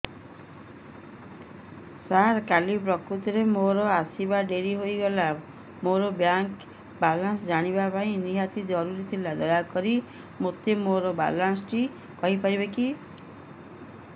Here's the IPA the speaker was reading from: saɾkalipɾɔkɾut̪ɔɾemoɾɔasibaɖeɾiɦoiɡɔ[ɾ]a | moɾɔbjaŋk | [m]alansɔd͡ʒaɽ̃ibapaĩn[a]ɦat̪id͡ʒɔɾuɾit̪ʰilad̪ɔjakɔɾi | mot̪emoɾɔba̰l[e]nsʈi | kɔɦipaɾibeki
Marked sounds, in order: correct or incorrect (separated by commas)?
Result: incorrect, incorrect, incorrect, incorrect